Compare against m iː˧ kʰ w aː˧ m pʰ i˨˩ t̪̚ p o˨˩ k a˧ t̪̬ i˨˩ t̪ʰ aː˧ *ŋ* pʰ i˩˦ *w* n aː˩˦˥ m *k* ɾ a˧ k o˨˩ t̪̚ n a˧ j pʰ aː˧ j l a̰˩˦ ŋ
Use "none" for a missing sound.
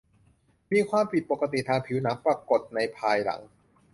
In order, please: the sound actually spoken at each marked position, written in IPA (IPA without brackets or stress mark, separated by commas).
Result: ŋ, w, p